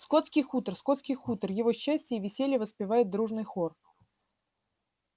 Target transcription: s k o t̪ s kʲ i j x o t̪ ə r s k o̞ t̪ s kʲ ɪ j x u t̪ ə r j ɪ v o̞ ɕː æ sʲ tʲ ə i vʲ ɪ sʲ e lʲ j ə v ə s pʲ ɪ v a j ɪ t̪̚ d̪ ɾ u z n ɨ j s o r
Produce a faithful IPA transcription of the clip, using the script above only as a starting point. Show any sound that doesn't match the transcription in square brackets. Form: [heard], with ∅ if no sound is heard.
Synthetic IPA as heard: s k o t̪ s kʲ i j x [u] t̪ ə r s k o̞ t̪ s kʲ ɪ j x u t̪ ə r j ɪ v o̞ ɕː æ sʲ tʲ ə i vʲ ɪ sʲ e lʲ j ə v ə s pʲ ɪ v a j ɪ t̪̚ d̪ ɾ u [ʐ] n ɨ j [x] o r